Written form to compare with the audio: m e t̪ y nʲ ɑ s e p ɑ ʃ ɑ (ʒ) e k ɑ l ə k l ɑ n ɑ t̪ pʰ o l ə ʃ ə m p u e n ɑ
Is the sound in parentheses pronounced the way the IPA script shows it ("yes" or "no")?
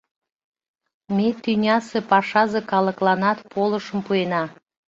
no